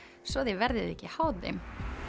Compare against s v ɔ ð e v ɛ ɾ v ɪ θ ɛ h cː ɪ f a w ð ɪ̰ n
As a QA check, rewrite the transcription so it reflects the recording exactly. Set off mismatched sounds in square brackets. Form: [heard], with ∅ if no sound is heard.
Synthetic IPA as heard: s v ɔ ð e v ɛ ɾ [ð] ɪ [ð] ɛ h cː ɪ [h] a w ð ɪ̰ [m]